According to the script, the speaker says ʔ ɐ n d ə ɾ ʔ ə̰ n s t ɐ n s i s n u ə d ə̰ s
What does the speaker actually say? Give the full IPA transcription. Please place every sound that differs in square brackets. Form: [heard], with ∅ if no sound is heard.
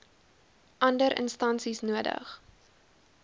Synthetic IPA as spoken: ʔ ɐ n d ə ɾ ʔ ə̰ n s t ɐ n s i s n u ə d ə̰ [χ]